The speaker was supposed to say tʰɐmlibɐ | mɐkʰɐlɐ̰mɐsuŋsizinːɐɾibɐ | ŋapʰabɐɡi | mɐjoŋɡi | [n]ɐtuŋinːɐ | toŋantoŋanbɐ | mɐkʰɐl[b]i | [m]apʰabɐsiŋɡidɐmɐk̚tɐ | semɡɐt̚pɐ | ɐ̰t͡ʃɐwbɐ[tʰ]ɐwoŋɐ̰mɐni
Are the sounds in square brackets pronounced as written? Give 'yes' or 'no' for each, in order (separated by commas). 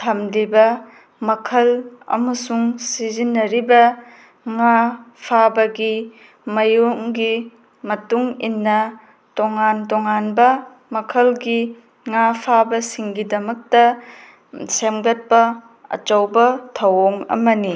no, no, no, yes